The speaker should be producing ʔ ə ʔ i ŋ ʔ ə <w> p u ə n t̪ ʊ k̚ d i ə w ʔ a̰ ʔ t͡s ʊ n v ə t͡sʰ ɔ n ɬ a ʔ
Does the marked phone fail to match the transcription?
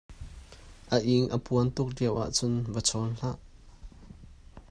yes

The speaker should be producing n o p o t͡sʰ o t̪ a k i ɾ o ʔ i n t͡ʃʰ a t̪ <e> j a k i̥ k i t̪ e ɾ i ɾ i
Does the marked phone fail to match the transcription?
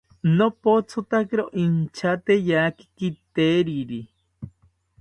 no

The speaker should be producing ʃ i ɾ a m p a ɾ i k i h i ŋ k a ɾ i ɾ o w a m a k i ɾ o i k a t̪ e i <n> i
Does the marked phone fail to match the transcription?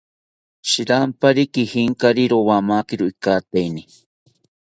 no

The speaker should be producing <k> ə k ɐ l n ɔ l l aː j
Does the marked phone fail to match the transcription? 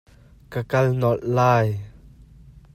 no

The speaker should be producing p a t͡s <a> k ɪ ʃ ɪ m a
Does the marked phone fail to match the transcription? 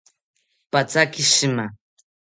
no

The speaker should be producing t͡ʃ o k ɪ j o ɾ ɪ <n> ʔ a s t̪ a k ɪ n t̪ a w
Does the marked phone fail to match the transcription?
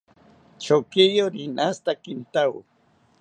no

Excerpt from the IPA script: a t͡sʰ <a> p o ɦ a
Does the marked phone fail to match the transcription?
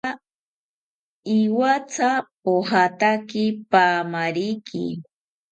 no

